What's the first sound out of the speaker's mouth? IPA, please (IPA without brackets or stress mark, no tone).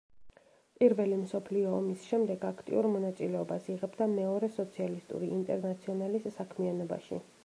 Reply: pʼ